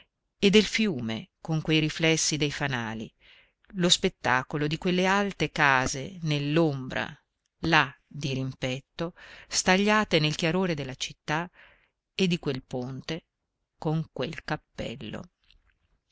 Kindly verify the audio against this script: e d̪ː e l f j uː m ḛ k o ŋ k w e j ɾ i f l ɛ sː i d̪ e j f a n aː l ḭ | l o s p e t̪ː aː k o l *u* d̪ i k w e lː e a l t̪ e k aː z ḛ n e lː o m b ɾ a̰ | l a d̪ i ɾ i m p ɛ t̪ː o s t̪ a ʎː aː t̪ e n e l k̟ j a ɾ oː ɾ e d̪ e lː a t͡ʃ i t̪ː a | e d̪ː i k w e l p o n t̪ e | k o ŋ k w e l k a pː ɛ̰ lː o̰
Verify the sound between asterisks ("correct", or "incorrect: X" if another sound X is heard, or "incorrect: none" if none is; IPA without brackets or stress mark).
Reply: incorrect: o